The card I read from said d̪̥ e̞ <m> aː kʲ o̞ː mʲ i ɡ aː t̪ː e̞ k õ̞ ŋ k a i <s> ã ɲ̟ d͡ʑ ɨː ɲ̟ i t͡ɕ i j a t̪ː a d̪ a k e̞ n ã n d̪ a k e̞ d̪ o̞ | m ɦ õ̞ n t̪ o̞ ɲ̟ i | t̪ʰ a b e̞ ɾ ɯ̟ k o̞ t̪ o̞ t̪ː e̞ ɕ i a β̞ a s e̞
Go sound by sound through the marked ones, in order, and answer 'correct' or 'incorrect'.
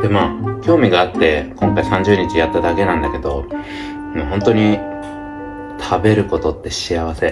correct, correct

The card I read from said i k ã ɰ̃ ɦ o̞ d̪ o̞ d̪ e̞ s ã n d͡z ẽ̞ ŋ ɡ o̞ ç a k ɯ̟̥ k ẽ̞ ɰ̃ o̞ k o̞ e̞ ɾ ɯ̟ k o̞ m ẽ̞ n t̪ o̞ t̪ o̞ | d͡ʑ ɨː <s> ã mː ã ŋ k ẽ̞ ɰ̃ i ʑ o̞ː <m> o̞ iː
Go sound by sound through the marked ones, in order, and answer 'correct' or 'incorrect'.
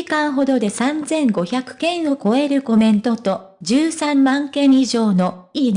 correct, incorrect: n

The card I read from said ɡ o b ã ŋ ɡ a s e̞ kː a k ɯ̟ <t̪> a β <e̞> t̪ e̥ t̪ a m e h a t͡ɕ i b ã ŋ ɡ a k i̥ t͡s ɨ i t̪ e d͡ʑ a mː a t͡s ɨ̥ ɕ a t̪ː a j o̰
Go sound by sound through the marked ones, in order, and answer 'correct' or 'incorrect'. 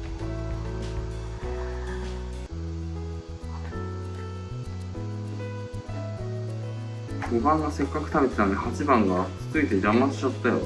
correct, correct

